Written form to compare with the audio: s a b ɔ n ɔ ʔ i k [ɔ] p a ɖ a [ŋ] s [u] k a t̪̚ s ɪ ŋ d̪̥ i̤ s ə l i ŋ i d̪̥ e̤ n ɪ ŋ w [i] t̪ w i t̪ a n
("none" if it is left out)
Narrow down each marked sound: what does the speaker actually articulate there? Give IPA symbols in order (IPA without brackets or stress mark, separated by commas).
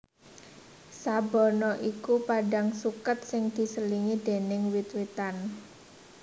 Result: u, ŋ, u, i